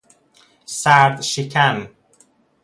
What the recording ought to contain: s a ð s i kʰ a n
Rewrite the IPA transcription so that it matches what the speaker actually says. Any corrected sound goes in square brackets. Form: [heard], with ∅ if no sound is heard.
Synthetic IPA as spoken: s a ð [ʃ] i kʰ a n